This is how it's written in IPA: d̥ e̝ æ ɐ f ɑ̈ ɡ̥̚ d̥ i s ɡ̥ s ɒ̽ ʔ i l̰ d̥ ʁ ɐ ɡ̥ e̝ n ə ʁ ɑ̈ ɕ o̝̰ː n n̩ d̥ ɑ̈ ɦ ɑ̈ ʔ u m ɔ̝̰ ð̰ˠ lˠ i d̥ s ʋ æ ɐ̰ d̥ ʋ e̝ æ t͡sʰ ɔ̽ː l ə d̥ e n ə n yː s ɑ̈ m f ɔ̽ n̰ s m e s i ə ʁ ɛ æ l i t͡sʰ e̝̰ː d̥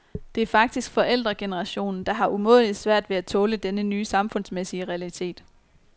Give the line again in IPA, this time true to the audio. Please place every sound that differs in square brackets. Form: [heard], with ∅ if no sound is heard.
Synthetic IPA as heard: d̥ e̝ æ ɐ f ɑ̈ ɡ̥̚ d̥ i s ɡ̥ [f] ɒ̽ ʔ [e] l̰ d̥ ʁ ɐ ɡ̥ e̝ n ə ʁ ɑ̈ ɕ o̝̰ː n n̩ d̥ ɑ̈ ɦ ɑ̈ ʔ u m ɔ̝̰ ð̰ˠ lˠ i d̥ s ʋ æ ɐ̰ d̥ ʋ e̝ æ t͡sʰ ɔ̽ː l ə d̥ e n ə n yː s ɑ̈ m f ɔ̽ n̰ s m e s i ə ʁ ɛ æ l i t͡sʰ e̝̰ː d̥